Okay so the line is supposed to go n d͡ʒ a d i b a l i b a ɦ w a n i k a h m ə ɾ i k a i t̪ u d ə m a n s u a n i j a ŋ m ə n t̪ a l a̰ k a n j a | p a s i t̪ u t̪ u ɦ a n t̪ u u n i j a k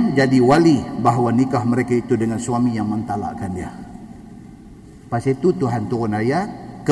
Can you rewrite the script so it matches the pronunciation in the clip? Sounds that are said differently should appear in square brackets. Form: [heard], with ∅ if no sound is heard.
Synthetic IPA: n d͡ʒ a d i [w] a l i b a ɦ w a n i k a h m ə ɾ [e] k a i t̪ u d ə [ŋ] a n s u a [m] i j a ŋ m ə n t̪ a l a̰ k a n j a | p a s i t̪ u t̪ u ɦ a n t̪ u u n [a] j a k